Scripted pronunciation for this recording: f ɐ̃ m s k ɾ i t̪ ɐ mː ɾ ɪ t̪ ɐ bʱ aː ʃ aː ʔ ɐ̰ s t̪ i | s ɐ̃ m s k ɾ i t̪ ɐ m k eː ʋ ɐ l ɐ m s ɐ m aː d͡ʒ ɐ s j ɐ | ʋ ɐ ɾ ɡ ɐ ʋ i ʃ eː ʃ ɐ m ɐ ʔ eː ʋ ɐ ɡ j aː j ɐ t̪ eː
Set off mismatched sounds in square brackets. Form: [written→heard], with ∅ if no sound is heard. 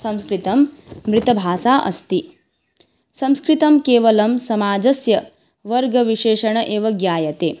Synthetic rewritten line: [f→s] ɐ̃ m s k ɾ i t̪ ɐ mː ɾ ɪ t̪ ɐ bʱ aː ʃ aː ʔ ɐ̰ s t̪ i | s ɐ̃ m s k ɾ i t̪ ɐ m k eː ʋ ɐ l ɐ m s ɐ m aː d͡ʒ ɐ s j ɐ | ʋ ɐ ɾ ɡ ɐ ʋ i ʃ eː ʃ ɐ [m→ɳ] ɐ ʔ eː ʋ ɐ ɡ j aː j ɐ t̪ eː